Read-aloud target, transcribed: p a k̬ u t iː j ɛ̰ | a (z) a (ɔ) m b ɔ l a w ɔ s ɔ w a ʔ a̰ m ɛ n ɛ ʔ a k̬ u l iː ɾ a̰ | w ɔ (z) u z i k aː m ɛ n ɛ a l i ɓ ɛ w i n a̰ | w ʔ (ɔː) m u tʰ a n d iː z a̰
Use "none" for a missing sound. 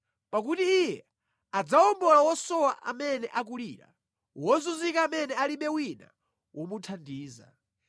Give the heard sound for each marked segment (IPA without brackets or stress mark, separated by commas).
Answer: d͡z, ɔ, z, ɔ